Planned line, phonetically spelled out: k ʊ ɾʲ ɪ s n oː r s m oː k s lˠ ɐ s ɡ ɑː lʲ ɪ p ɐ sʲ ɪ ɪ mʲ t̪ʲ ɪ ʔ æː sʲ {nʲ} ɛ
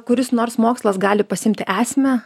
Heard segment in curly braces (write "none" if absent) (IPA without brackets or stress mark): mʲ